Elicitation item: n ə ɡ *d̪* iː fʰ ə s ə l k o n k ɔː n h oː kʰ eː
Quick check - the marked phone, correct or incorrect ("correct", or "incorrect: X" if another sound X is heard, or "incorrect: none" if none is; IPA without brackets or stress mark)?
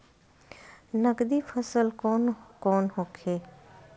correct